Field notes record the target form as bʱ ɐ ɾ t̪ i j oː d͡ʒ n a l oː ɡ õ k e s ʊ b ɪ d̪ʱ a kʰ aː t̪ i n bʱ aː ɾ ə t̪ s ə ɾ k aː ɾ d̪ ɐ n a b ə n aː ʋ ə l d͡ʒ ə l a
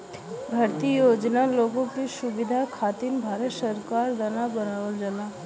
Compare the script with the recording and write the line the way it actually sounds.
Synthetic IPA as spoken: bʱ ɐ ɾ t̪ i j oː d͡ʒ n a l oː ɡ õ k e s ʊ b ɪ d̪ʱ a kʰ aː t̪ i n bʱ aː ɾ ə t̪ s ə ɾ k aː ɾ d̪ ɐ n a b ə n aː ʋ ə l d͡ʒ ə l a